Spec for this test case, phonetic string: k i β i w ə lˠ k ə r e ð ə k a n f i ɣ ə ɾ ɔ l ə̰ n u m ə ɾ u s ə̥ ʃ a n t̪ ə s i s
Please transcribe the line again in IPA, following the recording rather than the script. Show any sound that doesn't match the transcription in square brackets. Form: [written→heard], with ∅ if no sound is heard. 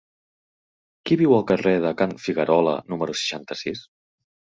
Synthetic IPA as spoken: k i β i w ə lˠ k ə r e ð ə k a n f i ɣ ə ɾ ɔ l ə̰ n u m ə ɾ u s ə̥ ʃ a n t̪ ə s i s

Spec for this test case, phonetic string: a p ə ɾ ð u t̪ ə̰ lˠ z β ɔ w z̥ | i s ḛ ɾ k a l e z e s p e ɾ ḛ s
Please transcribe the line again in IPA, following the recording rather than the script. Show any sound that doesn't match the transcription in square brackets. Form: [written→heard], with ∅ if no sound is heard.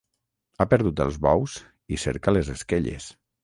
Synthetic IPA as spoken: a p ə ɾ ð u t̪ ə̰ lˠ z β ɔ w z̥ | i s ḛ ɾ k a l e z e s [p→k] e [ɾ→ʎ] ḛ s

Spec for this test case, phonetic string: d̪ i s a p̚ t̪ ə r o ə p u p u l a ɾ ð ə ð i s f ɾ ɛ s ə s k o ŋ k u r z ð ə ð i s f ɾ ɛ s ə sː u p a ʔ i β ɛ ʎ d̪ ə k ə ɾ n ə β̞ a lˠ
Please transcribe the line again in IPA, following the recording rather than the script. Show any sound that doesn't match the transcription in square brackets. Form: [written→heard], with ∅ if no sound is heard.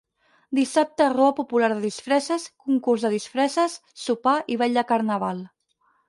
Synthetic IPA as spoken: d̪ i s a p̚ t̪ ə r o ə p u p u l a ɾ ð ə ð i s f ɾ ɛ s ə s k [o→u] ŋ k u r z ð ə ð i s f ɾ ɛ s ə sː u p a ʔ i β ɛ ʎ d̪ ə k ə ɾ n ə β̞ a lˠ

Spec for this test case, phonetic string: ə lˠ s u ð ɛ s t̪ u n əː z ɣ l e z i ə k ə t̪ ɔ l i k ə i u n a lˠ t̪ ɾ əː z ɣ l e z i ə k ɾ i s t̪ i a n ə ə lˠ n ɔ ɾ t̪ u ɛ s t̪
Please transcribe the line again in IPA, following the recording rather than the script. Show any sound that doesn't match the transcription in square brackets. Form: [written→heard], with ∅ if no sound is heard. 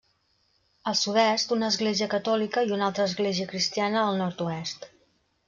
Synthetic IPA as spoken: ə lˠ s u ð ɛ s t̪ u n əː z ɣ l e z i ə k ə t̪ ɔ l i k ə i u n a lˠ t̪ ɾ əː z ɣ l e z i ə k ɾ i s t̪ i a n ə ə lˠ n ɔ ɾ t̪ u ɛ s t̪

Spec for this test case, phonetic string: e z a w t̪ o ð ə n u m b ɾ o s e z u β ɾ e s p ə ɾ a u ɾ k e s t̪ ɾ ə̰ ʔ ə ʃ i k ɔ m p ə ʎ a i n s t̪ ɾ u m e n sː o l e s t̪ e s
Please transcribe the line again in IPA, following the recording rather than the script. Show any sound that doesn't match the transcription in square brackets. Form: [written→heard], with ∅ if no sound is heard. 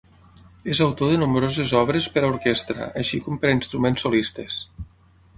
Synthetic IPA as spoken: e z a w t̪ o ð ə n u m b ɾ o [s→z] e z [u→ɔ] β ɾ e s p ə ɾ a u ɾ k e s t̪ ɾ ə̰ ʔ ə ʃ i k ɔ m p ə [ʎ→ɾ] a i n s t̪ ɾ u m e n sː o l [e→i] s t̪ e s

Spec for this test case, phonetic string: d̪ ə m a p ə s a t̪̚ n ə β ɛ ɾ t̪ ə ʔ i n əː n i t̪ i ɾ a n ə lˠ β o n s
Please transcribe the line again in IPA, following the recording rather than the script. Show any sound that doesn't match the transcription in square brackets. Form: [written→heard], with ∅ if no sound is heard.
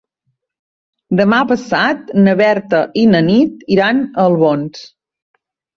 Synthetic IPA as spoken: d̪ ə m a p ə s a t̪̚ n ə β ɛ ɾ t̪ ə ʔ i n [əː→ə] n i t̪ i ɾ a n ə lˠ β o n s

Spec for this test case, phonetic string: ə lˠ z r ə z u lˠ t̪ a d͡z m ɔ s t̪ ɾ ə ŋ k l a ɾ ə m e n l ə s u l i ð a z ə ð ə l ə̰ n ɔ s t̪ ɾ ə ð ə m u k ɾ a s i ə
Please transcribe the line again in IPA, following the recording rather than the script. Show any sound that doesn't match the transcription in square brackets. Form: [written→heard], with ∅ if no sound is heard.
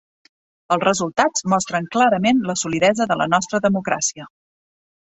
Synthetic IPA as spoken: ə lˠ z r ə z u lˠ t̪ a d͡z m ɔ s t̪ ɾ ə ŋ k l a ɾ ə m e n l ə s u l i ð [a→ɛ] z ə ð ə l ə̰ n ɔ s t̪ ɾ ə ð ə m u k ɾ a s i ə

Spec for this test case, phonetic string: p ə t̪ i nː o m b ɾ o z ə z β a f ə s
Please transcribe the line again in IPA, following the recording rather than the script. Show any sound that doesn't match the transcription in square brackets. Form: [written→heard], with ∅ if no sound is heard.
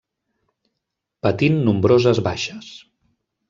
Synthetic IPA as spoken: p ə t̪ i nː [o→u] m b ɾ o z ə z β a [f→ʃ] ə s

